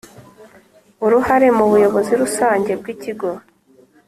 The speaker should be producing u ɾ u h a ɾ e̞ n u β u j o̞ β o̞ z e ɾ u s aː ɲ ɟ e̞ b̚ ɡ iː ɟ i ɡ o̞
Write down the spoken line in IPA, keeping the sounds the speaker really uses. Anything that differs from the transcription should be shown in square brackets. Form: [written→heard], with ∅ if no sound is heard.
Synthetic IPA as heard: u ɾ u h a ɾ e̞ [n→m] u β u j o̞ β o̞ z [e→i] ɾ u s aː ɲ ɟ e̞ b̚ ɡ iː [ɟ→c] i ɡ o̞